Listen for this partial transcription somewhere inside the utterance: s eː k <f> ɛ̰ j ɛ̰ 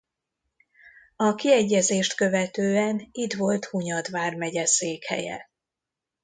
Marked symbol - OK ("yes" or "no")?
no